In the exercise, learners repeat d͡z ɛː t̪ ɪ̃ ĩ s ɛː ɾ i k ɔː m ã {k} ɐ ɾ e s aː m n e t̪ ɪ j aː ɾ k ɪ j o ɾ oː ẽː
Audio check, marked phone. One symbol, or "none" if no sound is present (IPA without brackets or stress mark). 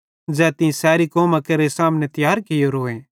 k